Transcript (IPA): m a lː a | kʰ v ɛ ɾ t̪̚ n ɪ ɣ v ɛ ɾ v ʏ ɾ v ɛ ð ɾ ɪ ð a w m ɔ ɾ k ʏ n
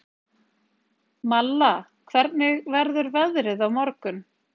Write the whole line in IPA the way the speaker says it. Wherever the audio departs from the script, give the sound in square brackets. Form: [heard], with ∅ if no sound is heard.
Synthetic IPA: m a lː a | kʰ v ɛ ɾ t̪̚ n ɪ ɣ v ɛ ɾ [ð] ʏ ɾ v ɛ ð ɾ ɪ ð a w m ɔ ɾ k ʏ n

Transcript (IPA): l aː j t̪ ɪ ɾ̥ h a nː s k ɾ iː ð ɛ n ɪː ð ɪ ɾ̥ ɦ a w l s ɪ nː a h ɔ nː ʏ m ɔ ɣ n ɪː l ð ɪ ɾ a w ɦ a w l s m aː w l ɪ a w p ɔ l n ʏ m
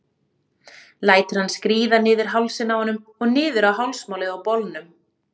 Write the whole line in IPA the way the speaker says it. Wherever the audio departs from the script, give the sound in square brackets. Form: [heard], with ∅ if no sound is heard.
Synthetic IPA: l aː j t̪ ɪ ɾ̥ h a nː s k ɾ iː ð [a] n ɪː ð ɪ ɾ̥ ɦ a w l s ɪ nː a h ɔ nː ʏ m ɔ ɣ n ɪː [∅] ð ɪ ɾ a w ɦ a w l s m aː w l ɪ a w p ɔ l n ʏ m

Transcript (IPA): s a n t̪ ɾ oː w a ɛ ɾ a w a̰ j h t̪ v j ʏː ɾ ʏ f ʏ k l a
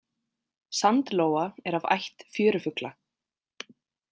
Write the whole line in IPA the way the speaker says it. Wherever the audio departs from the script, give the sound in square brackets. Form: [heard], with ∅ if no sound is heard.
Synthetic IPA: s a n t̪ [l] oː w a ɛ ɾ a [v] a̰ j h t̪ [f] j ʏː ɾ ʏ f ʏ k l a

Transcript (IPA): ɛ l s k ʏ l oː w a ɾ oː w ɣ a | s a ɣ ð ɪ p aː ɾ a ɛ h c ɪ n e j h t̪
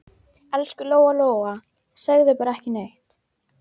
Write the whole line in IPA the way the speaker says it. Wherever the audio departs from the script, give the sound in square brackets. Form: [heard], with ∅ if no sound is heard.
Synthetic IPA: ɛ l s k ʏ l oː w a [l] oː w ɣ a | s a ɣ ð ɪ p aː ɾ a ɛ h c ɪ n e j h t̪

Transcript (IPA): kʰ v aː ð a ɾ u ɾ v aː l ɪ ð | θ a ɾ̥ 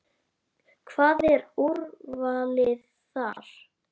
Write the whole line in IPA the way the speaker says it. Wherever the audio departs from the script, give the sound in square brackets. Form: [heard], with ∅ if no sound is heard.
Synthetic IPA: kʰ v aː ð [ɛ] ɾ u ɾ v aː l ɪ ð | θ a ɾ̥

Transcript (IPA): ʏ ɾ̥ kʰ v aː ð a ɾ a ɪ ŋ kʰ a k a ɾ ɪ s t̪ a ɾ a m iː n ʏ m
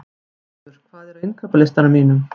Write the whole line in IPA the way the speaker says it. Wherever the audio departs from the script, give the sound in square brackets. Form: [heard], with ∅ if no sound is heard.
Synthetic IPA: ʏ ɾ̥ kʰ v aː ð [ɛ] ɾ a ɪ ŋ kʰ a [p] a [l] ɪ s t̪ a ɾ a m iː n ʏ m

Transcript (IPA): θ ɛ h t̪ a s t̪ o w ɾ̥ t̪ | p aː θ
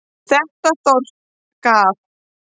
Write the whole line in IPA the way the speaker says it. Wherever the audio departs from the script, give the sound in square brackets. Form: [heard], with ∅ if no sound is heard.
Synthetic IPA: θ ɛ h t̪ a s t̪ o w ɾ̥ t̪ | [k] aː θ

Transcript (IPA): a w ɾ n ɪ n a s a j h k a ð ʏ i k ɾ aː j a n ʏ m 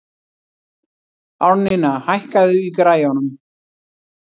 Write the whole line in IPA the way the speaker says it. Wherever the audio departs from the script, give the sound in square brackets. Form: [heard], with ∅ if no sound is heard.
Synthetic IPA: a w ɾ n ɪ n a [h] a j h k a ð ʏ i k ɾ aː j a n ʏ m

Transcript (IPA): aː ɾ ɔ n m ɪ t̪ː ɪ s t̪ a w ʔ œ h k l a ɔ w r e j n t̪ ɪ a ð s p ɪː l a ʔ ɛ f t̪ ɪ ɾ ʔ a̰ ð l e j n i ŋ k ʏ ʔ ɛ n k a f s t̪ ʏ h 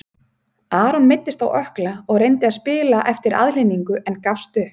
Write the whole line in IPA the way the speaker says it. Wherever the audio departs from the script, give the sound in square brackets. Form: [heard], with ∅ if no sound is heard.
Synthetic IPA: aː ɾ ɔ n m ɪ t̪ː ɪ s t̪ a w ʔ œ h k l a ɔ [ɣ] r e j n t̪ ɪ a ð s p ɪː l a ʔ ɛ f t̪ ɪ ɾ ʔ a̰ ð l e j n i ŋ k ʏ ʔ ɛ n k a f s t̪ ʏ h

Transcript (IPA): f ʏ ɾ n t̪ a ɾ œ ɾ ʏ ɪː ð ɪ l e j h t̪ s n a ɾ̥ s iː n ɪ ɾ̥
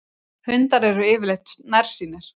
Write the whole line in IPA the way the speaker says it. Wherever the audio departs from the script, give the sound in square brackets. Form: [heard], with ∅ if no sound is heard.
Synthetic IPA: [h] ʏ [∅] n t̪ a ɾ [ɛ] ɾ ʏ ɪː [v] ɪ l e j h t̪ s n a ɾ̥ s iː n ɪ ɾ̥

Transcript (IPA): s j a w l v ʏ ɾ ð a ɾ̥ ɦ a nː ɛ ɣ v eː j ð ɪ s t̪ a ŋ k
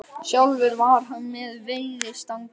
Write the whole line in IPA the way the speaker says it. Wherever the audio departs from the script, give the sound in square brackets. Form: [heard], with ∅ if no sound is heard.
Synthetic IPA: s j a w l v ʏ ɾ [v] a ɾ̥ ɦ a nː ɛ [ð] v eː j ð ɪ s t̪ a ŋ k

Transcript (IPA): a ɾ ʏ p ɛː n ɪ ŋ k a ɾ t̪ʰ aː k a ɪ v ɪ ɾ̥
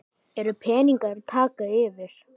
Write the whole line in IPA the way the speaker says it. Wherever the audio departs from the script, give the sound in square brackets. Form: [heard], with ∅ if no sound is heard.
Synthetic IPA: [ɛ] ɾ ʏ [pʰ] ɛː n [i] ŋ k a ɾ t̪ʰ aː k a ɪ v ɪ ɾ̥

